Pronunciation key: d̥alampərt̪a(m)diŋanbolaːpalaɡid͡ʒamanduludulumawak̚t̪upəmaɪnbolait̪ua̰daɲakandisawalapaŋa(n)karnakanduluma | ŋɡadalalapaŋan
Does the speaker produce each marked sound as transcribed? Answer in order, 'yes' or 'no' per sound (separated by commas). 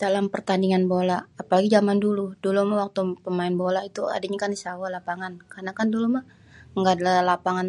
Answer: no, yes